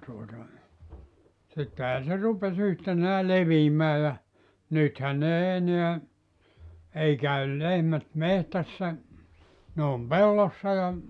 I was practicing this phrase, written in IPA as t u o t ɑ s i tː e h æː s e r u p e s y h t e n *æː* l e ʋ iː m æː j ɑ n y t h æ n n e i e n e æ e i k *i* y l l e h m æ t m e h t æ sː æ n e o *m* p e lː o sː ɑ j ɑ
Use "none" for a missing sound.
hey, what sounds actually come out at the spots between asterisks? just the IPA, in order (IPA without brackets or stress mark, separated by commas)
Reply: æː, æ, m